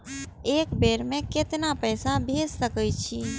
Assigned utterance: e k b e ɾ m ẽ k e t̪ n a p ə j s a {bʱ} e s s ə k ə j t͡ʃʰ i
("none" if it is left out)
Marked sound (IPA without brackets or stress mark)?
bʱ